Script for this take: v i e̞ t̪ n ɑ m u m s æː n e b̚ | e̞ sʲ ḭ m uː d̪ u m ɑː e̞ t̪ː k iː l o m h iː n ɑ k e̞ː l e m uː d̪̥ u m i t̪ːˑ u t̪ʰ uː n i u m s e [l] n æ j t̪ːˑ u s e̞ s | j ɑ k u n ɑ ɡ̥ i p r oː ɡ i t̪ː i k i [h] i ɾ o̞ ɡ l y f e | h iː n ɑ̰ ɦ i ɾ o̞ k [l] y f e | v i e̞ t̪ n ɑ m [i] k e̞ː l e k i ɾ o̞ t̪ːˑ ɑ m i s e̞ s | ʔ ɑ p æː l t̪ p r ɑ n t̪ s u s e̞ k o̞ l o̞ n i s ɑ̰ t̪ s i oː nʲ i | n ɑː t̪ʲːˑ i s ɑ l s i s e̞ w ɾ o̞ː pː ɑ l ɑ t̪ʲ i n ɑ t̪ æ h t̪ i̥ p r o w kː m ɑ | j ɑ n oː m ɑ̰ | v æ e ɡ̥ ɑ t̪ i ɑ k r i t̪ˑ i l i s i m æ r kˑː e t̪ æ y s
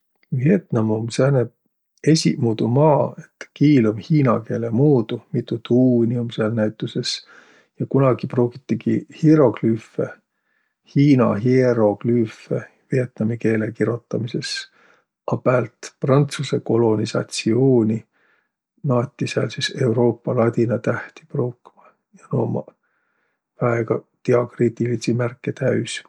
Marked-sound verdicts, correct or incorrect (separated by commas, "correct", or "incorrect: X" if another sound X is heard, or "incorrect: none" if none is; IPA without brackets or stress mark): correct, correct, correct, correct